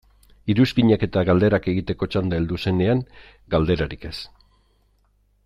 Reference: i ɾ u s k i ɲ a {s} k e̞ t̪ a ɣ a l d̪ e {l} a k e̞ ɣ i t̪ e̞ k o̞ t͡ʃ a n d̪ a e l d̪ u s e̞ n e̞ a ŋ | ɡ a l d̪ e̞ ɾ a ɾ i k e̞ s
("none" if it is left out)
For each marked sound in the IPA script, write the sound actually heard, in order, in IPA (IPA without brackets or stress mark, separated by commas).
none, ɾ